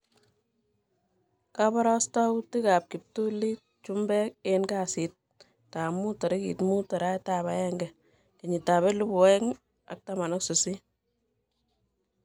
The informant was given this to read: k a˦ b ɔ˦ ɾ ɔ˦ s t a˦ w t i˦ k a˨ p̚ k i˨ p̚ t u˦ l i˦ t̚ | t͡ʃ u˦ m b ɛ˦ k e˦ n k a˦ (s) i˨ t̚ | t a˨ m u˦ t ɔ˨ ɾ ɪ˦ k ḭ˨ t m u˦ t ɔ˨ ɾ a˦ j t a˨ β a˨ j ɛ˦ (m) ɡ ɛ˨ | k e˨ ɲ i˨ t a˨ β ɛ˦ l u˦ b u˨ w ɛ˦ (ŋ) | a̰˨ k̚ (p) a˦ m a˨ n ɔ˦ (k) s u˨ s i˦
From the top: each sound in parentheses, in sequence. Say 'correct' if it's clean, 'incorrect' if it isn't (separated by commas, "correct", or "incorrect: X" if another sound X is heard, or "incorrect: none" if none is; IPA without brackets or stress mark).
correct, incorrect: ŋ, correct, incorrect: t, correct